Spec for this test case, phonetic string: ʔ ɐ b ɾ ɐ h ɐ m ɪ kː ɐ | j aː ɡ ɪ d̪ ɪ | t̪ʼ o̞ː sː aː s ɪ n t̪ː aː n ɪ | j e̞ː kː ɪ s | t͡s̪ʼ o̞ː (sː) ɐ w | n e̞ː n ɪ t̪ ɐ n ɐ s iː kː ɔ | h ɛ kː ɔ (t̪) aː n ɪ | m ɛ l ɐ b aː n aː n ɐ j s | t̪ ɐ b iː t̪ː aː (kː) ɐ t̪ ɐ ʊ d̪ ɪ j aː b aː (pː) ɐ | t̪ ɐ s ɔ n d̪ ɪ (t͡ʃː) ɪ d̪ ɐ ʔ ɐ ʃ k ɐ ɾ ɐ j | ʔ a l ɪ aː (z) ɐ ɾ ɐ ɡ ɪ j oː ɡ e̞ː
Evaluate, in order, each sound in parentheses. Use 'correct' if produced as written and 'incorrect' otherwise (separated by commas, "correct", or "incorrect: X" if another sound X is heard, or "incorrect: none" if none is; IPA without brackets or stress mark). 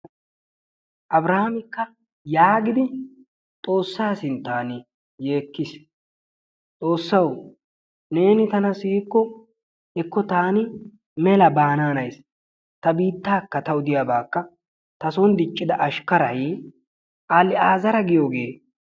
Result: correct, correct, correct, incorrect: kː, incorrect: t͡ʃʼː, correct